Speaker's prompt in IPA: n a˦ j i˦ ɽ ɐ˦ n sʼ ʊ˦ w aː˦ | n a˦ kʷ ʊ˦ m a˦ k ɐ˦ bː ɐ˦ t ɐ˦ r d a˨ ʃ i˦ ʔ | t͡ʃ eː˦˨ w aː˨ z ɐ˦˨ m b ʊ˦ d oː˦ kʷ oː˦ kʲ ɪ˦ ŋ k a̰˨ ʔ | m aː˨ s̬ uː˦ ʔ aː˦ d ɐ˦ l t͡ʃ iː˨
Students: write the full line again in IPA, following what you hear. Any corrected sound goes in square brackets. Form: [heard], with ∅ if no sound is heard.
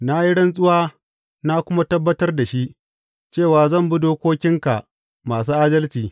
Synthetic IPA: n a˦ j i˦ ɽ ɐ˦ n sʼ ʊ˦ w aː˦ | n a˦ kʷ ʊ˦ m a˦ [t] ɐ˦ bː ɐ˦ t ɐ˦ r d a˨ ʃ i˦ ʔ | t͡ʃ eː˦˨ w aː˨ z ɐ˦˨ m b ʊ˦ d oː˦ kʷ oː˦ kʲ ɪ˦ ŋ k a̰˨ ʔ | m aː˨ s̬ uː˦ ʔ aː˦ d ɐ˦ l t͡ʃ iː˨